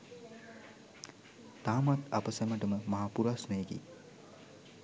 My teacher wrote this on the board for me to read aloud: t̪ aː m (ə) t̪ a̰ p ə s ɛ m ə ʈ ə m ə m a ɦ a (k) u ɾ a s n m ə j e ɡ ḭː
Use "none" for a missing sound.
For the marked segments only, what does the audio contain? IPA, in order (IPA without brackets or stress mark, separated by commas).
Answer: a, p